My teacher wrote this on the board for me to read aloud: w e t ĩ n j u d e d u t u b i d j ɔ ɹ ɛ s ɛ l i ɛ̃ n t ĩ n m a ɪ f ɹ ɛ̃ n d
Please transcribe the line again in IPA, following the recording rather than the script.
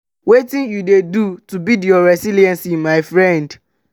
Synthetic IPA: w e t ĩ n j u d e d u t u b i d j ɔ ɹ ɛ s i l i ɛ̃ n s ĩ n m a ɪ f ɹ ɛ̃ n d